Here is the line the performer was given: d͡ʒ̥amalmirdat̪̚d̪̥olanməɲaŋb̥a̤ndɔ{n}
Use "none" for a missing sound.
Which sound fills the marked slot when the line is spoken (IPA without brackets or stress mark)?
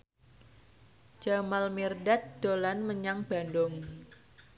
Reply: ŋ